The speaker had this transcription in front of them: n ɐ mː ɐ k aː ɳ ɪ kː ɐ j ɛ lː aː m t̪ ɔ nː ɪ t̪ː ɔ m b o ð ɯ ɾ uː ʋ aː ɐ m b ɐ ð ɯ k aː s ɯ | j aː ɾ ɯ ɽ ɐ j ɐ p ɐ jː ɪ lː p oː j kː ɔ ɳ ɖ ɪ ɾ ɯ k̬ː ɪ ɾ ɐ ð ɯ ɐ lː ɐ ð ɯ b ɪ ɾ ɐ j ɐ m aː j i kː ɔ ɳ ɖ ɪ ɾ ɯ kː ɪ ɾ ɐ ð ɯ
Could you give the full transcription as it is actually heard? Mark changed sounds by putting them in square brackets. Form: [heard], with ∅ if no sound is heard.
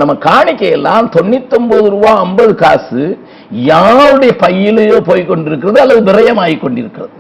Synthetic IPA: n ɐ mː ɐ k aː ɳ ɪ kː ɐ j ɛ lː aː m t̪ ɔ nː ɪ t̪ː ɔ m b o ð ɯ ɾ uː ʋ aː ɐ m b ɐ ð ɯ k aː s ɯ | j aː ɾ ɯ ɽ ɐ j ɐ p ɐ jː ɪ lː p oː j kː ɔ ɳ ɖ ɪ ɾ ɯ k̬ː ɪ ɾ ɐ ð ɯ ɐ lː ɐ ð ɯ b ɪ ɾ ɐ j ɐ m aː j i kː ɔ ɳ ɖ ɪ ɾ ɯ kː ɪ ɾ ɐ ð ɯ